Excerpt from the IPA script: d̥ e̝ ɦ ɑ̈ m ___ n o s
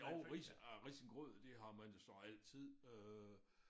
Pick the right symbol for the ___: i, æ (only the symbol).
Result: æ